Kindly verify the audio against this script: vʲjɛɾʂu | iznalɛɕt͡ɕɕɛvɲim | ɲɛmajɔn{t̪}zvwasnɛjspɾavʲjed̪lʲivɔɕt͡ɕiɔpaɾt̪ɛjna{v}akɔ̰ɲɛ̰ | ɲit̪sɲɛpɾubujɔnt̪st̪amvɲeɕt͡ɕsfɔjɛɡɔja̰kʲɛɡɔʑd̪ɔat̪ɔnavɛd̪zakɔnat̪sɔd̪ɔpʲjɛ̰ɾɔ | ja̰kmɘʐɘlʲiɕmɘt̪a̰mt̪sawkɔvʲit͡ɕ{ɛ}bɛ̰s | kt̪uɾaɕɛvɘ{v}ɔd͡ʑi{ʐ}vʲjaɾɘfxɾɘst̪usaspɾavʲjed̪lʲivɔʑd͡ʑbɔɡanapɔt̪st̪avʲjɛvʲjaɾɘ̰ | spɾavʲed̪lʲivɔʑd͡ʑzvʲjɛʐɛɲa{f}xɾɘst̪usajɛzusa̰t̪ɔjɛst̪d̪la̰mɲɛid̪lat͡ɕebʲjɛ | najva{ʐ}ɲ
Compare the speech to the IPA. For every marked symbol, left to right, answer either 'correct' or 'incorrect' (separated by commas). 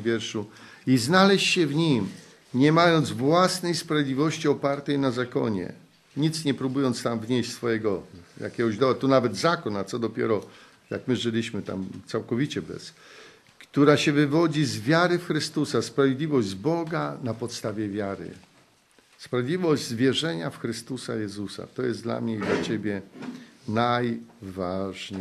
incorrect, incorrect, correct, correct, incorrect, correct, correct